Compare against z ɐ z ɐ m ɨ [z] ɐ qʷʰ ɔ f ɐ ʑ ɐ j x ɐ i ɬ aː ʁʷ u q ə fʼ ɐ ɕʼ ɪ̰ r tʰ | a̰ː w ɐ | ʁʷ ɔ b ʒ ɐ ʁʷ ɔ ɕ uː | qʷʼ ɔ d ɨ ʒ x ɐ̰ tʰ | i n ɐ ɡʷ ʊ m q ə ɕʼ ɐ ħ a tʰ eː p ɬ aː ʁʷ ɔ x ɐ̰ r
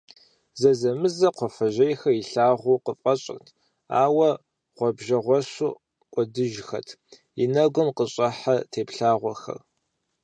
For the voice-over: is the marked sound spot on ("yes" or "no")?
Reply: yes